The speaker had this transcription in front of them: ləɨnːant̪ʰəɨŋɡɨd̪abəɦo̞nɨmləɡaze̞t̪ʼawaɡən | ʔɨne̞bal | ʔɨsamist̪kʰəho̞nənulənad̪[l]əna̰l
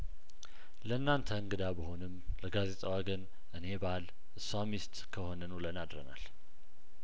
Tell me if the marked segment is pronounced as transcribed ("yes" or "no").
no